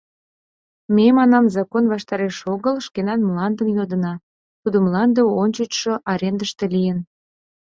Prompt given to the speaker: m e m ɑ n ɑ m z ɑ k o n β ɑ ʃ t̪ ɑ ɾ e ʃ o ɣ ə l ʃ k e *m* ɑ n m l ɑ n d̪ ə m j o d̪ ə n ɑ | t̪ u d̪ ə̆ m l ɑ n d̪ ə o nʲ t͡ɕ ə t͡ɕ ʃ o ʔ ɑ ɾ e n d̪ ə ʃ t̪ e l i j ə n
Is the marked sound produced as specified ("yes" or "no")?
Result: no